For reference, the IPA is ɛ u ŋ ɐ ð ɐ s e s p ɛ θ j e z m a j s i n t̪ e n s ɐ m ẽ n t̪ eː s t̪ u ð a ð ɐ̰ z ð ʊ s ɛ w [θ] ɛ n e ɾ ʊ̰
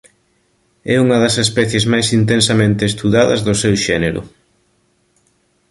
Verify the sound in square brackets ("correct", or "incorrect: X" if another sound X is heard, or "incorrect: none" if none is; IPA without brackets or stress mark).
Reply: incorrect: ʃ